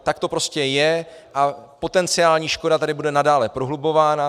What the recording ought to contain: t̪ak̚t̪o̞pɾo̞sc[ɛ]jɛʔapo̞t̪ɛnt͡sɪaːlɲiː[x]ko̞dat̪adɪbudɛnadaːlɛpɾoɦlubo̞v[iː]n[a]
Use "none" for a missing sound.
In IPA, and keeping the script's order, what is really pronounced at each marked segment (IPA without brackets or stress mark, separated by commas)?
ɛ, ʃ, aː, a